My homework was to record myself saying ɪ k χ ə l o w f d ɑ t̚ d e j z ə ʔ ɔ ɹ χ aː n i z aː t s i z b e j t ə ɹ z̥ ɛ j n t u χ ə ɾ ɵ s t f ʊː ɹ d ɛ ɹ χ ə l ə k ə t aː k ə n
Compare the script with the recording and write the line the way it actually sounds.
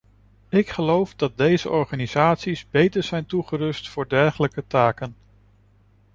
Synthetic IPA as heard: ɪ k χ ə l o w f d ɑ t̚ d e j z ə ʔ ɔ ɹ χ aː n i z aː t s i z b e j t ə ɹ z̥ ɛ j n t u χ ə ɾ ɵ s t f ʊː ɹ d ɛ ɹ χ ə l ə k ə t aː k ə n